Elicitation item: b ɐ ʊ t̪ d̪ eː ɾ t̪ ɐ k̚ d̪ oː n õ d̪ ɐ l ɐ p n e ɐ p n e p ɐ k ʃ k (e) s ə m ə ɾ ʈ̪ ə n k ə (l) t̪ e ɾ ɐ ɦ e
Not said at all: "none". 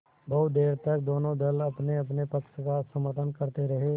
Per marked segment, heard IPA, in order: a, ɾ

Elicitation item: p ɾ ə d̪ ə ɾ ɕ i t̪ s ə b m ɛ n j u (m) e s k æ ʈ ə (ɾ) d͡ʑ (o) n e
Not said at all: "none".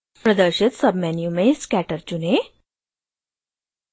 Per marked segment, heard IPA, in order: m, ɾ, u

